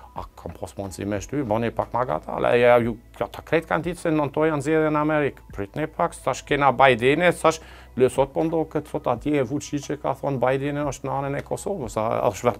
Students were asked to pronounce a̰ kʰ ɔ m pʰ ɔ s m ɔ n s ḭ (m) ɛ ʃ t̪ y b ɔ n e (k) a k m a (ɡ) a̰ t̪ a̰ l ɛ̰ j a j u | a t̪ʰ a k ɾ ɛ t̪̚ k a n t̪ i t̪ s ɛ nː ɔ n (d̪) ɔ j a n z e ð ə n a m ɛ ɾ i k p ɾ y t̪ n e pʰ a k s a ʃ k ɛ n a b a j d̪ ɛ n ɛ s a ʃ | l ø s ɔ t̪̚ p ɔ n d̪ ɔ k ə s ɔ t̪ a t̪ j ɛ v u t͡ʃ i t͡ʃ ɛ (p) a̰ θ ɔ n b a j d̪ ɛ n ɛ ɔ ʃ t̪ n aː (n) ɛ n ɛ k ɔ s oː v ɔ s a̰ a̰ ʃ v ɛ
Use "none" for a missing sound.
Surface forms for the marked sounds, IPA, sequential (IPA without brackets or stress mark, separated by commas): m, p, ɡ, t̪, k, n